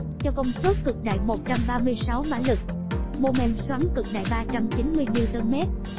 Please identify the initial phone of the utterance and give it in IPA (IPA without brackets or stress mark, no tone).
t͡ɕ